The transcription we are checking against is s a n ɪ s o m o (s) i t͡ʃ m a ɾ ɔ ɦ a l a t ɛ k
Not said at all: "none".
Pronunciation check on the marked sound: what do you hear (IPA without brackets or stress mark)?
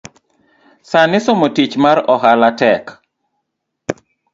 t